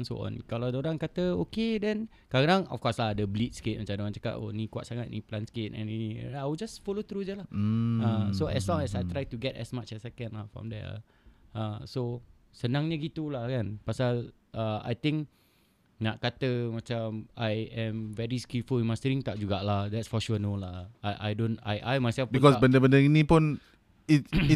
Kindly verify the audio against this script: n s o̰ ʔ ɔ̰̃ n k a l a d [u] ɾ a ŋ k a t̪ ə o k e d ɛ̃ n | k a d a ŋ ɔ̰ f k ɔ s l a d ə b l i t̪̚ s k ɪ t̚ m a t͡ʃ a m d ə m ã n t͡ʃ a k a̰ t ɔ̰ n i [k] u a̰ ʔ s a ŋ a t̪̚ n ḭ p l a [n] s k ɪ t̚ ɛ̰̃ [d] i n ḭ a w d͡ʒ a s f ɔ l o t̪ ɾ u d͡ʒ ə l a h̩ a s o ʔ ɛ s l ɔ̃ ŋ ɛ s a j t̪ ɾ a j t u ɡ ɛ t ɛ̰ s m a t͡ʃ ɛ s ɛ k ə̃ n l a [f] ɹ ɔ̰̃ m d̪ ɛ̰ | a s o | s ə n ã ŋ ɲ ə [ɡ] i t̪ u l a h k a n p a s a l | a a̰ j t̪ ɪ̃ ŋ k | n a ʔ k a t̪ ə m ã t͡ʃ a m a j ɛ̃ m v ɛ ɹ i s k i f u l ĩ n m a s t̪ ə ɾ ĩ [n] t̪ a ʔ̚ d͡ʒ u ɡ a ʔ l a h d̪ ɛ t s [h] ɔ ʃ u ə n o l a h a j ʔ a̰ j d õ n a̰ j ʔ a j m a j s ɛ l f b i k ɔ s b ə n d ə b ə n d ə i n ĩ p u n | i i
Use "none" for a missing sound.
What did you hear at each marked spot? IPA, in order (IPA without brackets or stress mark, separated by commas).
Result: o, k, n, n, f, ɡ, ŋ, f